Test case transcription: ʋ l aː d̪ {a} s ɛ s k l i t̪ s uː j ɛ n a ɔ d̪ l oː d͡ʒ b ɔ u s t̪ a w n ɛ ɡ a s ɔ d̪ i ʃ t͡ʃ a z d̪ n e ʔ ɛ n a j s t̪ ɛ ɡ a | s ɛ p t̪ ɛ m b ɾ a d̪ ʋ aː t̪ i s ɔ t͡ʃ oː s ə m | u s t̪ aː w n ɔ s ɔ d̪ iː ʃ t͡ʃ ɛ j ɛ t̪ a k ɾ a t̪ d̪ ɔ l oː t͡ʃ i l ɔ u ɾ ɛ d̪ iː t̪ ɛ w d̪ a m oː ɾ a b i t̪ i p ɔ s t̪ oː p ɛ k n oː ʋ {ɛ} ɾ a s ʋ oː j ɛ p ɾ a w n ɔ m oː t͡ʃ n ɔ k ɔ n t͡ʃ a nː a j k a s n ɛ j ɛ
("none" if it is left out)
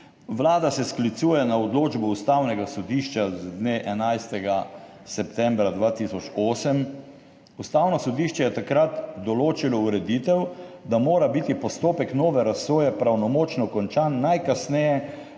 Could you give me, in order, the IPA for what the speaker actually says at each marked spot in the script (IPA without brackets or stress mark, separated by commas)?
a, ɛ